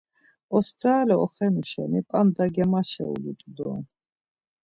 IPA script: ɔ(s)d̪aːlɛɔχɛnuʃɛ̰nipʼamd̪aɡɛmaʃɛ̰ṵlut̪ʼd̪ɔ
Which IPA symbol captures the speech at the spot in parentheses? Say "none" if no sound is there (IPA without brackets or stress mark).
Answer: s